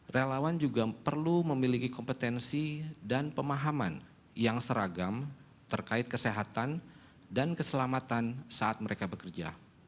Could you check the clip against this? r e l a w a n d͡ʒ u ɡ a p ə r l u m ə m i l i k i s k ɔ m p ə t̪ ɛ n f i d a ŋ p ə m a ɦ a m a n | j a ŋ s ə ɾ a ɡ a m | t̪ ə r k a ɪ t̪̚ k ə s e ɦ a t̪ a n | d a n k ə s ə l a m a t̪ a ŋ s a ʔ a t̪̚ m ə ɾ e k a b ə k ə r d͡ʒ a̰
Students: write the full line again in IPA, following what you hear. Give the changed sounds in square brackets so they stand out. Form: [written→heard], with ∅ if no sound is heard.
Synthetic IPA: r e l a w a n d͡ʒ u ɡ a p ə r l u m ə m i l i k i [s→∅] k ɔ m p ə t̪ ɛ n [f→s] i d a [ŋ→n] p ə m a ɦ a m a n | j a ŋ s ə ɾ a ɡ a m | t̪ ə r k a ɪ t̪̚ k ə s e ɦ a t̪ a n | d a n k ə s ə l a m a t̪ a [ŋ→n] s a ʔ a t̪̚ m ə ɾ e k a b ə k ə r d͡ʒ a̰